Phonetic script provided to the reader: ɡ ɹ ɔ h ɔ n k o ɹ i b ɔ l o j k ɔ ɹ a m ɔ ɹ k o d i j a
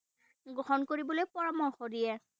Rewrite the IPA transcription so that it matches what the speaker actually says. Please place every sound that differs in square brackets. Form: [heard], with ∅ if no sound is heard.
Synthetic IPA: ɡ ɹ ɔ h ɔ n k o ɹ i b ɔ l o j [p] ɔ ɹ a m ɔ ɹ [x] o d i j [ɛ]